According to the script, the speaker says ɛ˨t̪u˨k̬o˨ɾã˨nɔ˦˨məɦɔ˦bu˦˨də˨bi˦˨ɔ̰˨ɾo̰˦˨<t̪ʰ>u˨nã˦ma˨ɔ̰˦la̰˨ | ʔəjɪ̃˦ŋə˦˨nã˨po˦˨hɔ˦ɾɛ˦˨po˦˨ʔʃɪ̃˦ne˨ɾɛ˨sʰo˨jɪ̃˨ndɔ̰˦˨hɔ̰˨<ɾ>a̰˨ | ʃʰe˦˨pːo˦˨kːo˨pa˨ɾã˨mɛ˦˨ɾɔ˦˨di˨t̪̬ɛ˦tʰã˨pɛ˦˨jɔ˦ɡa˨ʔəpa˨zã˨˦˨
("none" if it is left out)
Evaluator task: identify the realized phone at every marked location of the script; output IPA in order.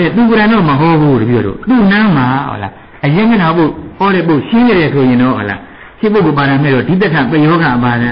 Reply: t̪, l

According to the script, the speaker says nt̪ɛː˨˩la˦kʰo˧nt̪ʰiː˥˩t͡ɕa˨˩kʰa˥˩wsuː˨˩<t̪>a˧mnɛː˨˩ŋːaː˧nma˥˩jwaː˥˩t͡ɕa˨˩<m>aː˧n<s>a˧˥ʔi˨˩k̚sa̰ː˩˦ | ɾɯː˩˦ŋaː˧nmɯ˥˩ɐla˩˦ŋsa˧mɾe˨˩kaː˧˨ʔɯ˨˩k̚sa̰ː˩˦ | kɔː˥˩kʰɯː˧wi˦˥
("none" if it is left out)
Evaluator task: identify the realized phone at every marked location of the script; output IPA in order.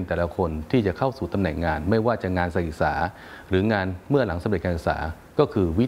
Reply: t̪, ŋ, s

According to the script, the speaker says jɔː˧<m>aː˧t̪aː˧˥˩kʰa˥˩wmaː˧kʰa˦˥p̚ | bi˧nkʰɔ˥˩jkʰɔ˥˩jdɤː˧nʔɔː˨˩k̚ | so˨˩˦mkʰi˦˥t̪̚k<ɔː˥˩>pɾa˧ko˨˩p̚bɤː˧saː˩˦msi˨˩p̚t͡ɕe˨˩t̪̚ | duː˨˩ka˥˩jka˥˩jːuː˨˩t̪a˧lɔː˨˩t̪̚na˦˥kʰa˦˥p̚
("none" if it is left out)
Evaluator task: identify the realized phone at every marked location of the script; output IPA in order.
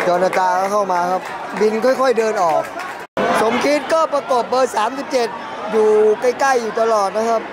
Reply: n, ɔː˥˩

